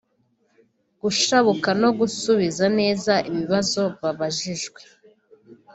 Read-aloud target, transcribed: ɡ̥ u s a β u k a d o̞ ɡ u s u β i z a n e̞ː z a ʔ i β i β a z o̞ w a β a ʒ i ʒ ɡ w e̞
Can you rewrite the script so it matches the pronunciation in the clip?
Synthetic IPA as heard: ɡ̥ u ʃ a β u k a n o̞ ɡ u s u β i z a n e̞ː z a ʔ i β i β a z o̞ β a β a ʒ i ʒ ɡ w e̞